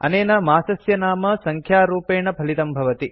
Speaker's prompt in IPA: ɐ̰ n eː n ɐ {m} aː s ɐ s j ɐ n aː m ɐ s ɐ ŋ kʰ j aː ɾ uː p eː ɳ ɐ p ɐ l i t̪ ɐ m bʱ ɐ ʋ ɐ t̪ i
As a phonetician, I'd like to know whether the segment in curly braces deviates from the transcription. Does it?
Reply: no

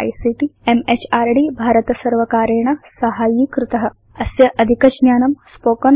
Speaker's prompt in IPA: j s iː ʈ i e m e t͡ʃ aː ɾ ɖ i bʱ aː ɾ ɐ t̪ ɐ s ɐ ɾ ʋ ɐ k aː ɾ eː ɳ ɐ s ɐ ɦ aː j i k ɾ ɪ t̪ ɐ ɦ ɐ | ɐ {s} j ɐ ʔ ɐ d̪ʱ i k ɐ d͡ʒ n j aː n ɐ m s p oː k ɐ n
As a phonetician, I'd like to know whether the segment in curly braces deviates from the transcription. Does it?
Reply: no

